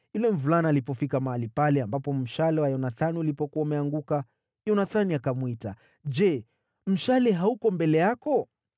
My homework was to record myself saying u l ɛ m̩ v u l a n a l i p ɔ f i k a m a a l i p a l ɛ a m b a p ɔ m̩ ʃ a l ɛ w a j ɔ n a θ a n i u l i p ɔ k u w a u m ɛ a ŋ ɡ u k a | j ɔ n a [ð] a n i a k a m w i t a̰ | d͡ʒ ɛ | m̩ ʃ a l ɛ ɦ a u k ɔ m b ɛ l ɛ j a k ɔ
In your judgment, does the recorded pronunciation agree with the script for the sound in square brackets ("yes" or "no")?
no